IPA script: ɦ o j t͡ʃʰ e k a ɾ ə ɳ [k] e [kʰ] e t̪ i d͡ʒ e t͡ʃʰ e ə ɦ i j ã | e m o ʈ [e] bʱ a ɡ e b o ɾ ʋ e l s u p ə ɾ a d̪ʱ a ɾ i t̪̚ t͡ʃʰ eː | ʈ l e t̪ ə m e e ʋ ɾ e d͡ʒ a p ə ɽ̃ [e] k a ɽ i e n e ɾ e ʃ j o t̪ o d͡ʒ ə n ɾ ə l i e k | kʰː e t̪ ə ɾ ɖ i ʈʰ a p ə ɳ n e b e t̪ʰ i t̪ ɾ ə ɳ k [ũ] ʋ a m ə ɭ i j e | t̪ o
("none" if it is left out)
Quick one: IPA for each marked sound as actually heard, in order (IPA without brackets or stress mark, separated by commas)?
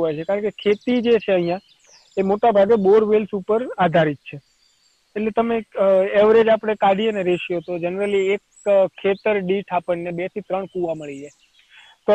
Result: k, kʰ, a, e, u